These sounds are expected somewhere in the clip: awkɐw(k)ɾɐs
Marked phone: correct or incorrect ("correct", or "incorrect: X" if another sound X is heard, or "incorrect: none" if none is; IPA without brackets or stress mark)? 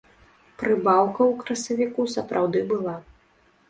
correct